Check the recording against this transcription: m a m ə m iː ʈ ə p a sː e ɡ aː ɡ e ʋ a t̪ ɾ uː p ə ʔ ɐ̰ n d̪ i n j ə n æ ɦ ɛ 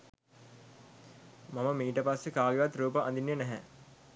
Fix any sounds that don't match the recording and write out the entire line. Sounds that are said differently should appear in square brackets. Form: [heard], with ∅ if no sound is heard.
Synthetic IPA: m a m ə m iː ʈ ə p a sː e [k] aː ɡ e ʋ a t̪ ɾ uː p ə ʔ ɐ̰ n d̪ i n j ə n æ ɦ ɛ